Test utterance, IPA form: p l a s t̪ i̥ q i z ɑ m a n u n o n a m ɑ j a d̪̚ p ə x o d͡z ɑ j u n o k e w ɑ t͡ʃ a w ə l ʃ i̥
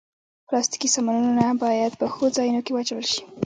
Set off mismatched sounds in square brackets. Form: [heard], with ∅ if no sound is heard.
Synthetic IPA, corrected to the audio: p l [ɑ] s t̪ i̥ [k] i [s] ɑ m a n u n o n a [b] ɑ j a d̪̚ p ə x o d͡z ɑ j u n o k e w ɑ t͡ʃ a w ə l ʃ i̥